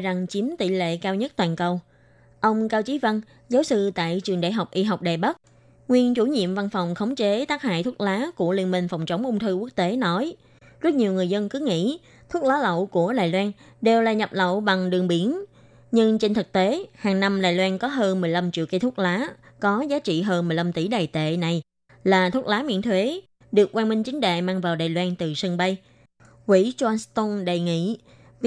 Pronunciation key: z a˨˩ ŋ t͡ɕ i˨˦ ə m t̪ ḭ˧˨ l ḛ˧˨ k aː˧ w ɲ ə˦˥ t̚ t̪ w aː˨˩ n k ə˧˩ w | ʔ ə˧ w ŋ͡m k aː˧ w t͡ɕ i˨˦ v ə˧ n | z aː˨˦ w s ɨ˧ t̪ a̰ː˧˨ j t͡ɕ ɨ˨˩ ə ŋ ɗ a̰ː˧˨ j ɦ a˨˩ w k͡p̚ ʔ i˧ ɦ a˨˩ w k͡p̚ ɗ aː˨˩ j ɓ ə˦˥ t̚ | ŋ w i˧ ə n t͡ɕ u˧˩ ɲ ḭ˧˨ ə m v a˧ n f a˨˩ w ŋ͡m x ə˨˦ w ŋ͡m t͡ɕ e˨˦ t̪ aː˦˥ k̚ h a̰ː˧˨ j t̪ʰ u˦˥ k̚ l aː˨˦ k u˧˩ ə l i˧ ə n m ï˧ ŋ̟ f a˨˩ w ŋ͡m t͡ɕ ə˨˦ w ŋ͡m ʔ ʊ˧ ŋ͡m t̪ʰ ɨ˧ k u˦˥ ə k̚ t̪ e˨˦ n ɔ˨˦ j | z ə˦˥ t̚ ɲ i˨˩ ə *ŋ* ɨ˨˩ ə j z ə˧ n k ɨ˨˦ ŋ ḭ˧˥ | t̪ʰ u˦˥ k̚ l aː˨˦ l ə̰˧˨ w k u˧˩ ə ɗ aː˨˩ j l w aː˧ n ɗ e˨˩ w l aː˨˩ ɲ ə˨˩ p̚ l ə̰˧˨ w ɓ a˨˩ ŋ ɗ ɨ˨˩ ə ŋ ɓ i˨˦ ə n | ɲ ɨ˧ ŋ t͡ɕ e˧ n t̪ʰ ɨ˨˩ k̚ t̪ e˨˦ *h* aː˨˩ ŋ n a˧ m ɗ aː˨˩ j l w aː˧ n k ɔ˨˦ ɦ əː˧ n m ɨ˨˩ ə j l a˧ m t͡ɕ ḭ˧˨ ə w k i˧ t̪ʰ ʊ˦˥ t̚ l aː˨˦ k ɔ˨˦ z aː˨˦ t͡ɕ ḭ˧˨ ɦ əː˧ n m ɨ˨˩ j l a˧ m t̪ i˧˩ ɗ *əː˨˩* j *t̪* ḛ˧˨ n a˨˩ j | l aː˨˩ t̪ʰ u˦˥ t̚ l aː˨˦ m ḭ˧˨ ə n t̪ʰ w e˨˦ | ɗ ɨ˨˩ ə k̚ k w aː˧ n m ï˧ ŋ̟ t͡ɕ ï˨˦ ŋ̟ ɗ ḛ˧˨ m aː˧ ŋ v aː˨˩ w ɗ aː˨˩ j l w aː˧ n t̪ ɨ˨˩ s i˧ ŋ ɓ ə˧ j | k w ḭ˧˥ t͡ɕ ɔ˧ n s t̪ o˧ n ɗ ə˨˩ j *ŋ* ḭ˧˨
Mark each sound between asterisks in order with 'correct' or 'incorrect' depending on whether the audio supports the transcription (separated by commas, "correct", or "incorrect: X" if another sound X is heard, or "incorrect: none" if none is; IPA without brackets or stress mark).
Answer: correct, correct, incorrect: aː˨˩, correct, correct